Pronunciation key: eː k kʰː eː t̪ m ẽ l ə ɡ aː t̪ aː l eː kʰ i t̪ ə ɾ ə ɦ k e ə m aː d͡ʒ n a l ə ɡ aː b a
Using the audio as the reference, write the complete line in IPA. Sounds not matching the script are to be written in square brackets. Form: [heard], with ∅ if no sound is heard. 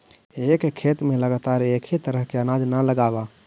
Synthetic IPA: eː k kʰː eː t̪ m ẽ l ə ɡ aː t̪ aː [ɾ] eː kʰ i t̪ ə ɾ ə ɦ k e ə [n] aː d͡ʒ n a l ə ɡ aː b a